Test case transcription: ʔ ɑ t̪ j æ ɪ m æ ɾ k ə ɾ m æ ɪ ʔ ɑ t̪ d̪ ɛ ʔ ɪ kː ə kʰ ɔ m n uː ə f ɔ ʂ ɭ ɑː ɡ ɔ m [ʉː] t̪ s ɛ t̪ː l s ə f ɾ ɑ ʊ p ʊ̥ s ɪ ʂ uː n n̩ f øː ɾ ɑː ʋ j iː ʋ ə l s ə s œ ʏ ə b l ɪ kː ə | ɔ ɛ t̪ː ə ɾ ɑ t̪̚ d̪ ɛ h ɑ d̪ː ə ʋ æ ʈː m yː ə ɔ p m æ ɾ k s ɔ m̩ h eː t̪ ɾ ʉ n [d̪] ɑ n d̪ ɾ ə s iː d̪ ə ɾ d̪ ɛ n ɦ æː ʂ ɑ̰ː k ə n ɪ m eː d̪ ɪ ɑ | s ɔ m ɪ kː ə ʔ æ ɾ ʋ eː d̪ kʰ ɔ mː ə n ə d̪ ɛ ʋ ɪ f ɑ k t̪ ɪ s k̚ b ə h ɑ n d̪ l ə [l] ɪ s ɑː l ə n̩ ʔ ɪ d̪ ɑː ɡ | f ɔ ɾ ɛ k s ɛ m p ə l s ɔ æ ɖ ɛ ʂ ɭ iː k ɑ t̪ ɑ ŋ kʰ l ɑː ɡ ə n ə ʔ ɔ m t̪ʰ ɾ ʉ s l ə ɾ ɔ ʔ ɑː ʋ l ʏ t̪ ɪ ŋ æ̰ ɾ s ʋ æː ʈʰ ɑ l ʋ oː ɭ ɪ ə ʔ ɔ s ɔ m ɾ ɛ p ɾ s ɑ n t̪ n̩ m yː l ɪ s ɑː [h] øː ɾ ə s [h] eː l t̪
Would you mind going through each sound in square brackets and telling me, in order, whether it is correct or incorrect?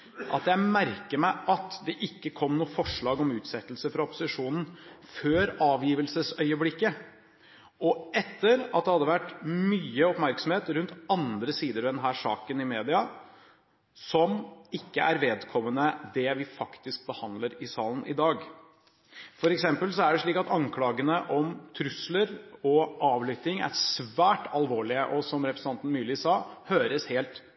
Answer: correct, incorrect: t̪, incorrect: ɾ, correct, correct

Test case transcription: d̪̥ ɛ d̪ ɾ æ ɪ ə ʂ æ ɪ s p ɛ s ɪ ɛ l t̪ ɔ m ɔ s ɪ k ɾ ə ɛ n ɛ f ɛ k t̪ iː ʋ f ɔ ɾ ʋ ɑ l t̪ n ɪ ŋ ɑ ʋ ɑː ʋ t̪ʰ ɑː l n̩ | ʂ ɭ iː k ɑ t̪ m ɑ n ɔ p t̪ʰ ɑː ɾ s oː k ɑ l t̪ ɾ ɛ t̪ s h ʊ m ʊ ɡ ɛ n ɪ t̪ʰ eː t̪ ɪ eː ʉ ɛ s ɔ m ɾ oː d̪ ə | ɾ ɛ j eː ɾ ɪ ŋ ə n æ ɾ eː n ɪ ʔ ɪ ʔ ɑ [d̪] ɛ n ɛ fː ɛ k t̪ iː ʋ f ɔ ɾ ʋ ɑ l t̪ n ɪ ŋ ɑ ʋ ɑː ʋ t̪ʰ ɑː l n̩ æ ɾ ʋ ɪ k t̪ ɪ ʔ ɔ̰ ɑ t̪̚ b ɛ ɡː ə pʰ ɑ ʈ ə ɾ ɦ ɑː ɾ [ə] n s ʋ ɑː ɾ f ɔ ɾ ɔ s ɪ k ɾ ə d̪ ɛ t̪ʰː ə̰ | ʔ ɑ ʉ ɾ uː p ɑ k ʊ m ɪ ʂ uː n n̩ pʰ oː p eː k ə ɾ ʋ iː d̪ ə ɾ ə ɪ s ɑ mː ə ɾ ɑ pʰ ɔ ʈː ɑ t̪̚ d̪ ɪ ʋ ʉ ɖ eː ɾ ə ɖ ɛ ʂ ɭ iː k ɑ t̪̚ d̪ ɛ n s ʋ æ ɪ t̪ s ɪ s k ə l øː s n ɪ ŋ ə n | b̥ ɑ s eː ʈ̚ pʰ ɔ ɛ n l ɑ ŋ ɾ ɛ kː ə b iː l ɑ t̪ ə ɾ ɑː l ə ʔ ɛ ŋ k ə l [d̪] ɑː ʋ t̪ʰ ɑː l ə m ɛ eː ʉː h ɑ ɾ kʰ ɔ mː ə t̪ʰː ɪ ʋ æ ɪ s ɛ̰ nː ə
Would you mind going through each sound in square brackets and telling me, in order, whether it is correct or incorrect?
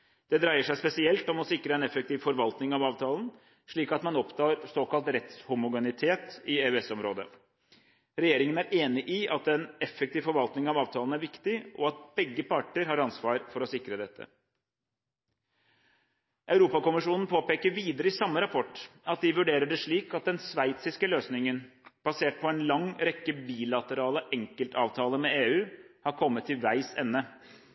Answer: incorrect: t̪, incorrect: ɑ, incorrect: t̪

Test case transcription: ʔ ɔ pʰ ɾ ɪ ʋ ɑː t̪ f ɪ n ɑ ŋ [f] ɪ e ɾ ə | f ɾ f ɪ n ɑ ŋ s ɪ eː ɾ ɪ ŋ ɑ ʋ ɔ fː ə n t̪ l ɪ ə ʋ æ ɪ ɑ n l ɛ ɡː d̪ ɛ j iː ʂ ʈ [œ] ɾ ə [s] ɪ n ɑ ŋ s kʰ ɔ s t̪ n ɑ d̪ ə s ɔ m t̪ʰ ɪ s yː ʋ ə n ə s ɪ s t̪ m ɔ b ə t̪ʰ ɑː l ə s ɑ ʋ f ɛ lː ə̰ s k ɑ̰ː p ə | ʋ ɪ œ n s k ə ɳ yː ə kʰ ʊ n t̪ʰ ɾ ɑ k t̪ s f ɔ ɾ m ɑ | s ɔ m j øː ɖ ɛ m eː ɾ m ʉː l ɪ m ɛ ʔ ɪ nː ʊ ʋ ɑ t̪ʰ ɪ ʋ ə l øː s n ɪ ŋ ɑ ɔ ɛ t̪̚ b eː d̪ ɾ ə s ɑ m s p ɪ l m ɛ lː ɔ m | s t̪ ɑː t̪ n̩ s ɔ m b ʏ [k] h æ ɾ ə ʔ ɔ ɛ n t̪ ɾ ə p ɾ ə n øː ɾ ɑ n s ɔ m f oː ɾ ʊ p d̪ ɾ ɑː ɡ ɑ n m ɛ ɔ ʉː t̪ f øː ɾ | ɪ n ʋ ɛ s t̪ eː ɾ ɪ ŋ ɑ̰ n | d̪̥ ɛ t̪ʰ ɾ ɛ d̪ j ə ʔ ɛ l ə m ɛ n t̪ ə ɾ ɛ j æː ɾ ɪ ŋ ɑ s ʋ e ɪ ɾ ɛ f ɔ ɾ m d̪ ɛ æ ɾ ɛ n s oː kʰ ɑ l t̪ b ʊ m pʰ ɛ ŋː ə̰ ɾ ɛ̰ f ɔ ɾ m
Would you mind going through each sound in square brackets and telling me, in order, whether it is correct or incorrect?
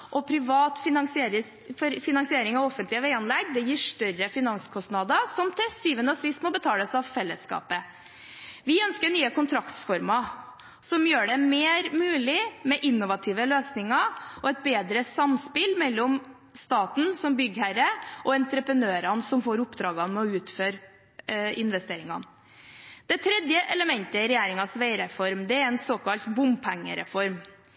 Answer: incorrect: s, correct, incorrect: f, incorrect: ɡ

